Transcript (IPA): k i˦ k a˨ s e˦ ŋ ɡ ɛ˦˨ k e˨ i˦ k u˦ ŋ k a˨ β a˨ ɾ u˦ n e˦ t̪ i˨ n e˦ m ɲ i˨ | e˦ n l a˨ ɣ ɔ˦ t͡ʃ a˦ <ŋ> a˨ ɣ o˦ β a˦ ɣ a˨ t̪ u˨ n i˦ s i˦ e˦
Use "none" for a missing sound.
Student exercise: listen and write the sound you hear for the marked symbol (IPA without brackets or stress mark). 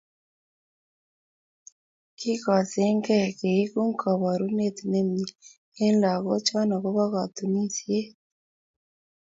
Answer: n